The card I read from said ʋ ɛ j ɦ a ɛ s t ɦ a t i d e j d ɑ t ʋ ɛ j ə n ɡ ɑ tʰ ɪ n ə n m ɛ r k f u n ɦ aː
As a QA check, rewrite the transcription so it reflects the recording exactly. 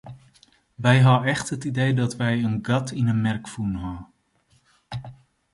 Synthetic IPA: ʋ ɛ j ɦ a ɛ χ t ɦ ə t i d e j d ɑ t ʋ ɛ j ə n ɡ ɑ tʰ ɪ n ə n m ɛ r k f u n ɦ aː